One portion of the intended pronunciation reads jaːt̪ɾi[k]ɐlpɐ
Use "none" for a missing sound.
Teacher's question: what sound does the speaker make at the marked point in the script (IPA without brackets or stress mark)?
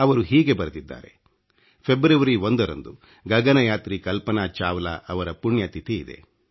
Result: k